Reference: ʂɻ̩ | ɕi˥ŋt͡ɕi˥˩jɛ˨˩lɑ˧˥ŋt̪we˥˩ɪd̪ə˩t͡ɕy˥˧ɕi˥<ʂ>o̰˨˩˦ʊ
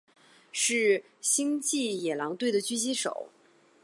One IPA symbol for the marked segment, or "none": ʂ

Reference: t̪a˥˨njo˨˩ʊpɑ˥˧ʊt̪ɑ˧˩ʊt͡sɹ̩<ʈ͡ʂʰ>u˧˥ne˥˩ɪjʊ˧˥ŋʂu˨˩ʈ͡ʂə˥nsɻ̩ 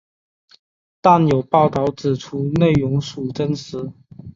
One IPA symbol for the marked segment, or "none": ʈ͡ʂʰ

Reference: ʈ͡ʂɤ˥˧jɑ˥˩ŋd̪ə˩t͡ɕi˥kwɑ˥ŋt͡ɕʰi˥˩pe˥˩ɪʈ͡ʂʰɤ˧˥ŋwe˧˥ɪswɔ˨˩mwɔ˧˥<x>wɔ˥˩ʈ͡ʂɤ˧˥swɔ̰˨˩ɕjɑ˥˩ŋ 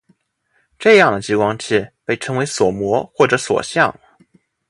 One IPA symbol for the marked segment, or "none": x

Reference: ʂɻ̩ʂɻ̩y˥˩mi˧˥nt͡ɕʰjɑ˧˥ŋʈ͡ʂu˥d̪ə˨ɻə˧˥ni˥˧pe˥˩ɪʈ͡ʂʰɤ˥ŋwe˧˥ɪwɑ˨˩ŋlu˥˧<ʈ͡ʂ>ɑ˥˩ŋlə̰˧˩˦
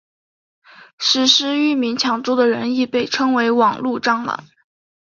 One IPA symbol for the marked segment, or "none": ʈ͡ʂ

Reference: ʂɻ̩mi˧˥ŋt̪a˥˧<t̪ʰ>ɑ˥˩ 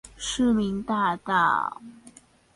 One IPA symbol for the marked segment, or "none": t̪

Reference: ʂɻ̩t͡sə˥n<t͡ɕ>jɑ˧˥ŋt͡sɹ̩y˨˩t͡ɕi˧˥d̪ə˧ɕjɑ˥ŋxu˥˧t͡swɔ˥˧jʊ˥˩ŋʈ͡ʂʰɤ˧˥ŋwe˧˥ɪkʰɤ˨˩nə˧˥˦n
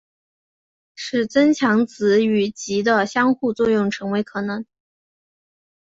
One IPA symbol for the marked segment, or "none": t͡ɕʰ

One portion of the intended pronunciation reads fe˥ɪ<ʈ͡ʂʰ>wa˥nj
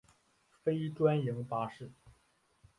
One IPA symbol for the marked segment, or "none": ʈ͡ʂ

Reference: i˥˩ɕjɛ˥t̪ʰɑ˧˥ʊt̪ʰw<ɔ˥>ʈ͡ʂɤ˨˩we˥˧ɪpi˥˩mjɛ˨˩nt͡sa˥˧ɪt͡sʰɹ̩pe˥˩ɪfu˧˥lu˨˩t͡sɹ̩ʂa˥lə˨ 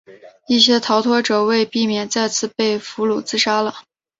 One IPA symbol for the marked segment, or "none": ɔ˥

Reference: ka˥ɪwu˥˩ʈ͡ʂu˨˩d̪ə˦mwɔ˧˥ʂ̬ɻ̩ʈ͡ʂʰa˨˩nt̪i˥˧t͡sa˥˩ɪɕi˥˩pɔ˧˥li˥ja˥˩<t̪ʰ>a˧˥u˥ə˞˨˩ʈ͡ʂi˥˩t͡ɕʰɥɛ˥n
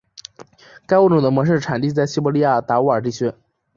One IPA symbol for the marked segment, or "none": t̪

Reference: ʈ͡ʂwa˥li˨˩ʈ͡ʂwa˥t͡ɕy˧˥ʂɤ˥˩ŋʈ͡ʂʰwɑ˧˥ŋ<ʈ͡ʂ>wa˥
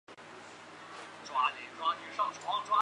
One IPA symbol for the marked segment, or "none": ʈ͡ʂ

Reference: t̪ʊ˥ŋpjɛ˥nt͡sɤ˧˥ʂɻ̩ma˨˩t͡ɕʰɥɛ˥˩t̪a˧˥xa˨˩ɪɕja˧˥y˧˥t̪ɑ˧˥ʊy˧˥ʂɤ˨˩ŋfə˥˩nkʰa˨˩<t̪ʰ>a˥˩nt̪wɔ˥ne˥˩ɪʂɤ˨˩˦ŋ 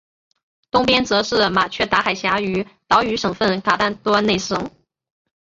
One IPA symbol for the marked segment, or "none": t̪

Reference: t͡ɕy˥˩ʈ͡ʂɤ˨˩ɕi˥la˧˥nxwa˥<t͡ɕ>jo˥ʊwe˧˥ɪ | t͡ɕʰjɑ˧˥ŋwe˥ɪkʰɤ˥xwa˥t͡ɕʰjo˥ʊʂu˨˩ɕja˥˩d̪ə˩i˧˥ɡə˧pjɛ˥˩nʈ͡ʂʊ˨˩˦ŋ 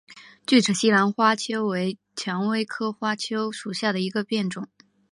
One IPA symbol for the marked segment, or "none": t͡ɕʰ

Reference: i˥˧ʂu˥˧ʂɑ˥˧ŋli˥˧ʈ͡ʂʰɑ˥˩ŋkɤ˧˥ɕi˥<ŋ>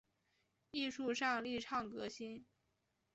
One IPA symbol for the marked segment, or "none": n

